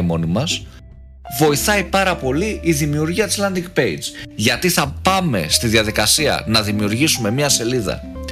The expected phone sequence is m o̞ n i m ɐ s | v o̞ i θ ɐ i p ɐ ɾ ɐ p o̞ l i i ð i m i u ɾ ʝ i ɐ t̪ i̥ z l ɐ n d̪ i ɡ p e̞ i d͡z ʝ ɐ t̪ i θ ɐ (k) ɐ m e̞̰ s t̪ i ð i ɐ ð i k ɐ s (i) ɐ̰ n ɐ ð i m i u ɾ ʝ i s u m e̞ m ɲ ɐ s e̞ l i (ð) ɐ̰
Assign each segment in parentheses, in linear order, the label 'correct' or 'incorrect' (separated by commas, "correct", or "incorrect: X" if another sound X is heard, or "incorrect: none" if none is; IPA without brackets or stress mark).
incorrect: p, correct, correct